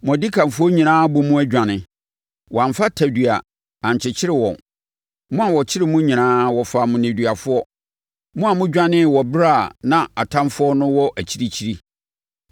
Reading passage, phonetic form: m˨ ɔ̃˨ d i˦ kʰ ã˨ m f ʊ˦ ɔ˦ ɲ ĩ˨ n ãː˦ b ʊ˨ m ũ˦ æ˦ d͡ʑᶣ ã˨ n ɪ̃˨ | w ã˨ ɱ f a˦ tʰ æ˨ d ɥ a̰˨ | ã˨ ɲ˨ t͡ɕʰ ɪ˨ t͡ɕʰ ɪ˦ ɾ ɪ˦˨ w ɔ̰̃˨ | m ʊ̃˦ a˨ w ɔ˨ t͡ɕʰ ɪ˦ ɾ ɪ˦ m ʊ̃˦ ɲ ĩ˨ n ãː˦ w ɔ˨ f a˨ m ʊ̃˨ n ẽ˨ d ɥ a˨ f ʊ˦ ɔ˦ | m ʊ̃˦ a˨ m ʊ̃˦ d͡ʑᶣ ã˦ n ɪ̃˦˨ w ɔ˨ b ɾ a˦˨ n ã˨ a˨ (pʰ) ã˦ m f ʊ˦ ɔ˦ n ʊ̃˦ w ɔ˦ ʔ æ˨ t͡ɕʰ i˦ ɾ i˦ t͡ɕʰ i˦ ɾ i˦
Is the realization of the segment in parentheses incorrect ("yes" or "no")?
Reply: yes